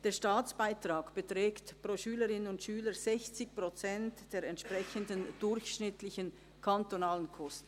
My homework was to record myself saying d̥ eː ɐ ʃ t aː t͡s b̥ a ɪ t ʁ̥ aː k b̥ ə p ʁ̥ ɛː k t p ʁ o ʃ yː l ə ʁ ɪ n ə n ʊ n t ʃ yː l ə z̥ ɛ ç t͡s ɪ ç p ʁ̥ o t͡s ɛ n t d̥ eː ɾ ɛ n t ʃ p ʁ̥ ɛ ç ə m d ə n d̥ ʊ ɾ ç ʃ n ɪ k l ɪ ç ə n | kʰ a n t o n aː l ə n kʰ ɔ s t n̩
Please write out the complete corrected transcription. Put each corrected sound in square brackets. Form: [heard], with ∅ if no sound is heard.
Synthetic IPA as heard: d̥ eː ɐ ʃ t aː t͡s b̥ a ɪ t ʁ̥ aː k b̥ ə [t] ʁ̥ ɛː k t p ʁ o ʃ yː l ə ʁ ɪ n ə n ʊ n t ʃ yː l ə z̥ ɛ ç t͡s ɪ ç p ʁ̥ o t͡s ɛ n t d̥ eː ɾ ɛ n t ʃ p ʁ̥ ɛ ç ə [n] d ə n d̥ ʊ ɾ ç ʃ n ɪ [t] l ɪ ç ə n | kʰ a n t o n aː l ə n kʰ ɔ s t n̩